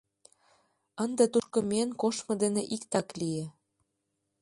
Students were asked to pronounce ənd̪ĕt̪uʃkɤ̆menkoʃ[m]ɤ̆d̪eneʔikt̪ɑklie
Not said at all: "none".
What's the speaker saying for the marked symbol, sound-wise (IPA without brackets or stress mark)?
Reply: m